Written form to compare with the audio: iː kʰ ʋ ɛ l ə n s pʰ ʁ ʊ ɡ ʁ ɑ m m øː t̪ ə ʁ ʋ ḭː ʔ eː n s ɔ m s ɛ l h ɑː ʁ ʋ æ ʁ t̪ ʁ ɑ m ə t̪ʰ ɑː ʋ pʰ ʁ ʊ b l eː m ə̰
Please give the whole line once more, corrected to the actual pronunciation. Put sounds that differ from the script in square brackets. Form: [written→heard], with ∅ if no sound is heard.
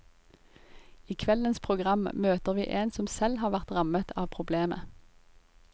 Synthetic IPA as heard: iː kʰ ʋ ɛ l ə n s pʰ ʁ ʊ ɡ ʁ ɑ m m øː t̪ ə ʁ ʋ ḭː ʔ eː n s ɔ m s ɛ l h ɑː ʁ ʋ æ ʁ t̪ ʁ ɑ m ə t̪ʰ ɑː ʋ pʰ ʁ ʊ b l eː m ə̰

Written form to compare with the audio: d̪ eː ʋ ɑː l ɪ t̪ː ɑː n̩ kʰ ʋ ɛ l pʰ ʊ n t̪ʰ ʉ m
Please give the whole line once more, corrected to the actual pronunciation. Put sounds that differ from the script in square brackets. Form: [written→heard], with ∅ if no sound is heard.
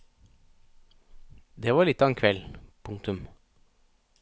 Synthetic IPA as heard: d̪ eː ʋ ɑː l ɪ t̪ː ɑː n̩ kʰ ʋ ɛ l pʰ ʊ [n→ŋ] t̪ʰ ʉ m

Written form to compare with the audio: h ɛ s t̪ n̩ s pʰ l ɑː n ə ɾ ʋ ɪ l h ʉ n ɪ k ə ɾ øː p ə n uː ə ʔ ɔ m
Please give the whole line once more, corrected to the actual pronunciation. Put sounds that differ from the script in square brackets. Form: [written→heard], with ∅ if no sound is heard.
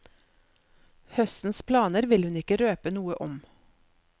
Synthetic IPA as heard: h [ɛ→œ] s t̪ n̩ s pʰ l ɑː n ə ɾ ʋ ɪ l h ʉ n ɪ k ə ɾ øː p ə n uː ə ʔ ɔ m

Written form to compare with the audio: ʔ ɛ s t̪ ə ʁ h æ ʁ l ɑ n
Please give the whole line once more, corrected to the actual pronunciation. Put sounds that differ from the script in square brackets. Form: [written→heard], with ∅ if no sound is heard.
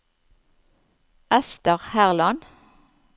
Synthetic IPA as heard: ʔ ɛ s t̪ ə ʁ h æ ʁ l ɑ n

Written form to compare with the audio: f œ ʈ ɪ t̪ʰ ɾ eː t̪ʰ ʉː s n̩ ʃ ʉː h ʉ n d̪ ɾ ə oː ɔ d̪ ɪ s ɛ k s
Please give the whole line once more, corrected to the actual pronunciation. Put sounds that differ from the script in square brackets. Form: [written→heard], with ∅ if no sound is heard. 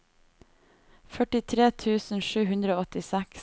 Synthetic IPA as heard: f œ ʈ ɪ t̪ʰ ɾ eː t̪ʰ ʉː s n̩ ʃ ʉː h ʉ n d̪ ɾ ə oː ɔ [d̪→t̪] ɪ s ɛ k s

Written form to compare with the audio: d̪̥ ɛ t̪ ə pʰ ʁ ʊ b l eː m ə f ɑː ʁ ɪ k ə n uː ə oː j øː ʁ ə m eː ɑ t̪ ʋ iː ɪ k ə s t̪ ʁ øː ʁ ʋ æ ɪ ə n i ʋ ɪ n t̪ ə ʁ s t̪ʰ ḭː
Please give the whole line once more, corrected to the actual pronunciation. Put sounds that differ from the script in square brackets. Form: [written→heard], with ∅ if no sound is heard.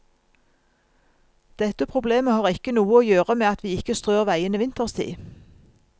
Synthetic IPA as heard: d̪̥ ɛ t̪ ə pʰ ʁ ʊ b l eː m ə [f→h] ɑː ʁ ɪ k ə n uː ə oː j øː ʁ ə m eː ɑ t̪ ʋ iː ɪ k ə s t̪ ʁ øː ʁ ʋ æ ɪ ə n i ʋ ɪ n t̪ ə ʁ s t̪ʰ ḭː

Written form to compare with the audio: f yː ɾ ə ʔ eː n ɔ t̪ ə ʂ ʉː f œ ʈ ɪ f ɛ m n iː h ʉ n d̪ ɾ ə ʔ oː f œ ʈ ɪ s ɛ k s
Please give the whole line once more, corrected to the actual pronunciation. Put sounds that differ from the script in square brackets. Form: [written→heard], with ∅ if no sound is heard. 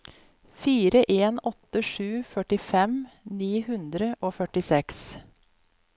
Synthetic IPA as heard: f [yː→iː] ɾ ə ʔ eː n ɔ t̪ ə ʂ ʉː f œ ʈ ɪ f ɛ m n iː h ʉ n d̪ ɾ ə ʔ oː f œ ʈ ɪ s ɛ k s

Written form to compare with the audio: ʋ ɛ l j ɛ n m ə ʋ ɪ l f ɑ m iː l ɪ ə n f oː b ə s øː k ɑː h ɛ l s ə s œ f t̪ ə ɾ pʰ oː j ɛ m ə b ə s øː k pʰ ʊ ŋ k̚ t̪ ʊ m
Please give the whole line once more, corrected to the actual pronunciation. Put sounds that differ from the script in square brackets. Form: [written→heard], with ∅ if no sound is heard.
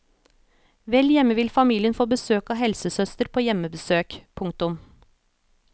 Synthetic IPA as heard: ʋ ɛ l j ɛ [n→∅] m ə ʋ ɪ l f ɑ m iː l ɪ ə n f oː b ə s øː k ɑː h ɛ l s ə s œ [f→s] t̪ ə ɾ pʰ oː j ɛ m ə b ə s øː k pʰ ʊ ŋ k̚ t̪ ʊ m

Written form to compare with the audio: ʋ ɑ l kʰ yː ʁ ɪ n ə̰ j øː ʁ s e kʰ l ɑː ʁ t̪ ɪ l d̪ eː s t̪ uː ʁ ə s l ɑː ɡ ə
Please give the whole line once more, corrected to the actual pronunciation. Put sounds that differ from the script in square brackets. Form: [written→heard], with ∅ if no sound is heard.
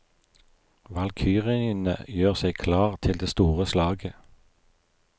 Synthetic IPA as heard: ʋ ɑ l kʰ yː ʁ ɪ n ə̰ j øː ʁ s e kʰ l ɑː ʁ [t̪→t̪ʰ] ɪ l d̪ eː s t̪ uː ʁ ə s l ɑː ɡ ə

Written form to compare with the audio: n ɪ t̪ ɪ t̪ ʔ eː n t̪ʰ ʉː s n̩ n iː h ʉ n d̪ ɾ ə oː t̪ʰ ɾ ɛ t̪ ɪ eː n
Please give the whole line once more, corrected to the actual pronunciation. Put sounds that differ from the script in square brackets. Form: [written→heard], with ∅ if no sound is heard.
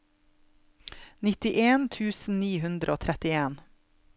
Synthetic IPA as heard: n ɪ t̪ ɪ [t̪→∅] ʔ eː n t̪ʰ ʉː s n̩ n iː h ʉ n d̪ ɾ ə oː t̪ʰ ɾ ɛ t̪ ɪ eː n

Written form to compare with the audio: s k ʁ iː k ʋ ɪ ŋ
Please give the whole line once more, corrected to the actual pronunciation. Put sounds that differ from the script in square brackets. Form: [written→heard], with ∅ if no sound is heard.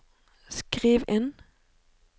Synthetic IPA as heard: s k ʁ iː [k→∅] ʋ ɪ [ŋ→n]

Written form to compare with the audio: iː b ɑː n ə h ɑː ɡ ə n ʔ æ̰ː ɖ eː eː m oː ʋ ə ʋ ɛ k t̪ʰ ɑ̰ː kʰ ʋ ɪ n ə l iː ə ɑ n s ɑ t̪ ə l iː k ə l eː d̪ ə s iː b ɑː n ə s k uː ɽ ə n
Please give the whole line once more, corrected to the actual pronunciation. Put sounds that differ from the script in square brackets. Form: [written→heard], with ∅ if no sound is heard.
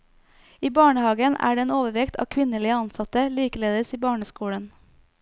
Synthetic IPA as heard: iː b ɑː [n→ɳ] ə h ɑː ɡ ə n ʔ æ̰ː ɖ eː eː [m→n] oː ʋ ə ʋ ɛ k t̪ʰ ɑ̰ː kʰ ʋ ɪ n ə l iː ə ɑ n s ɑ t̪ ə l iː k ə l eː d̪ ə s iː b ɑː [n→ɳ] ə s k uː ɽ ə n

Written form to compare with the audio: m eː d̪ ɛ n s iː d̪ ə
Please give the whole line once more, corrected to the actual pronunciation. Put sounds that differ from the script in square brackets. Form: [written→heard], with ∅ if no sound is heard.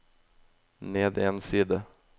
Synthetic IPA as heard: [m→n] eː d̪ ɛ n s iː d̪ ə

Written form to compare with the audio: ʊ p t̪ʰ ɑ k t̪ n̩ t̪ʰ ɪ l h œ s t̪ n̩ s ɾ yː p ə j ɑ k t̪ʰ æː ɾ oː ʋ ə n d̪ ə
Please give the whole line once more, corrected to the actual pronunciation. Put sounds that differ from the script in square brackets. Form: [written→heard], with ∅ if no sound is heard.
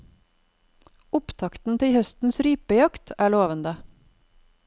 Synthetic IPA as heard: ʊ p t̪ʰ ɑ k t̪ n̩ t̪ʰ ɪ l h œ s t̪ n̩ s ɾ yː p ə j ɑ k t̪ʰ æː [ɾ→ɭ] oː ʋ ə n d̪ ə

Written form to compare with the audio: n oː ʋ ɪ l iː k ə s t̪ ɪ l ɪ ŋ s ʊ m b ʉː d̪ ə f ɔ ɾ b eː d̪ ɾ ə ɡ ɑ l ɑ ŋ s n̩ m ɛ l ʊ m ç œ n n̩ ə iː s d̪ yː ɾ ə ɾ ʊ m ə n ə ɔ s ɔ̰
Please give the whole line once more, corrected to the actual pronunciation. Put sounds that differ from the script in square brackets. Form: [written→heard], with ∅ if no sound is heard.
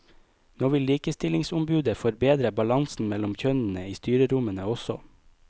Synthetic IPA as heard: n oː ʋ ɪ l iː k ə s t̪ ɪ l ɪ ŋ s ʊ m b ʉː d̪ ə f ɔ ɾ b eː d̪ ɾ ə [ɡ→b] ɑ l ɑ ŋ s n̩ m ɛ l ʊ m ç œ n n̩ ə iː s [d̪→t̪] yː ɾ ə ɾ ʊ m ə n ə ɔ s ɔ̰

